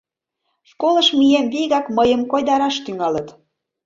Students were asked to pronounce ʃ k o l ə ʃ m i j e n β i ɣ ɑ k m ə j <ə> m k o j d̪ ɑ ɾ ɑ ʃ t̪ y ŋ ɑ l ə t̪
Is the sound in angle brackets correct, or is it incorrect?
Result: correct